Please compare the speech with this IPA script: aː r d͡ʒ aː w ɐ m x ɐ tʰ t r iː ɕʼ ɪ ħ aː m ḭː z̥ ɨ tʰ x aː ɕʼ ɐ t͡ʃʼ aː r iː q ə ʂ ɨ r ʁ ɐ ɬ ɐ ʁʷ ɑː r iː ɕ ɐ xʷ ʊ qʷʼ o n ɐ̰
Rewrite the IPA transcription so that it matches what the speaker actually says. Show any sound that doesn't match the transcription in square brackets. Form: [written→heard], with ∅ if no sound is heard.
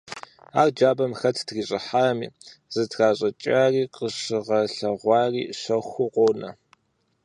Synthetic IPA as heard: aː r d͡ʒ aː [w→b] ɐ m x ɐ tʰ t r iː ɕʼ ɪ ħ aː m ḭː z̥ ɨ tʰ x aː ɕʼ ɐ t͡ʃʼ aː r iː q ə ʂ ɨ [r→∅] ʁ ɐ ɬ ɐ ʁʷ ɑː r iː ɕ ɐ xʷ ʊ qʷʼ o n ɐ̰